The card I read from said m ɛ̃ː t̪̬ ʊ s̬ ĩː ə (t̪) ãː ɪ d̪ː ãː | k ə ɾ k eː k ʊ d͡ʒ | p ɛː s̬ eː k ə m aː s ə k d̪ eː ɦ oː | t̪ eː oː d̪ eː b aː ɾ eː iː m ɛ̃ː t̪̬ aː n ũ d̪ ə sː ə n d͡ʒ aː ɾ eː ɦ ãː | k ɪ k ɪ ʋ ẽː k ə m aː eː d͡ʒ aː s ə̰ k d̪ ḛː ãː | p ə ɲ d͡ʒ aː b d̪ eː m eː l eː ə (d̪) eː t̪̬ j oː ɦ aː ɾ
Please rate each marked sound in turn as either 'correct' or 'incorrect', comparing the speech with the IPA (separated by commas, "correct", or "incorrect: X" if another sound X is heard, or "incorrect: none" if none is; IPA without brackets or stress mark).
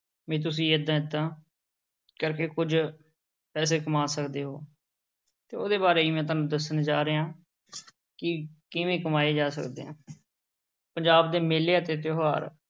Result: incorrect: d̪, incorrect: t̪